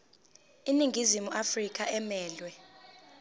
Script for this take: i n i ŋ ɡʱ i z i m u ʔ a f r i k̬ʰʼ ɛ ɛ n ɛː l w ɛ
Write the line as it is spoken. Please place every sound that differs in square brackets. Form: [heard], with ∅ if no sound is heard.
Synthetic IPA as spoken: i n i ŋ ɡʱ i z i m u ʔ a f r i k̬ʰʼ [a] ɛ [m] ɛː l w ɛ